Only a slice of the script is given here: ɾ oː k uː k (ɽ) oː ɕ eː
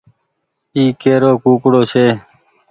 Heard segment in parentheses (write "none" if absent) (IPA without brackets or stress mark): ɽ